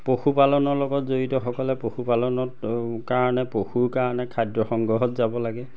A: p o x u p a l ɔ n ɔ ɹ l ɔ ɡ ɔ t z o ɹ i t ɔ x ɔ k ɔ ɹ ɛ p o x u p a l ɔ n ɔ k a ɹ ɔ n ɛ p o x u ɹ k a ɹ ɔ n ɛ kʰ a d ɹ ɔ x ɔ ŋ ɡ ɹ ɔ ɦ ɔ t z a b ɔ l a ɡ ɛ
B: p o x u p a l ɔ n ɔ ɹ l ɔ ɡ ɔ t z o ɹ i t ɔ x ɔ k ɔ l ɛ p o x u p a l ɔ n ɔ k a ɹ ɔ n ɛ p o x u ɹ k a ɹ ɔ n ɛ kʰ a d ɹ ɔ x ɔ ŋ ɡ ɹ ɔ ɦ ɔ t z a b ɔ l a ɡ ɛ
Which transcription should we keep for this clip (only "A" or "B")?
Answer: B